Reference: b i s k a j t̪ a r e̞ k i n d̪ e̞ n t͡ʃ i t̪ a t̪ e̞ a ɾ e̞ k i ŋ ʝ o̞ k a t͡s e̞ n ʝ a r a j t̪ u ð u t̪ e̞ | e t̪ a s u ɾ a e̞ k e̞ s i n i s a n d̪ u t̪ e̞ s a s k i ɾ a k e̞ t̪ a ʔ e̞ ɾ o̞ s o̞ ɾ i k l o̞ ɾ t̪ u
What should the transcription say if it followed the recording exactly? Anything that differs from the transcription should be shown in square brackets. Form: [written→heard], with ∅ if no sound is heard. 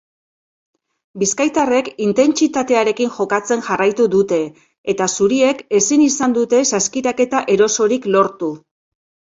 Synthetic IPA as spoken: b i s k a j t̪ a r e̞ k i n [d̪→t̪] e̞ n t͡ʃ i t̪ a t̪ e̞ a ɾ e̞ k i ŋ ʝ o̞ k a t͡s e̞ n ʝ a r a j t̪ u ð u t̪ e̞ | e t̪ a s u ɾ [a→i] e̞ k e̞ s i n i s a n d̪ u t̪ e̞ s a s k i ɾ a k e̞ t̪ a ʔ e̞ ɾ o̞ s o̞ ɾ i k l o̞ ɾ t̪ u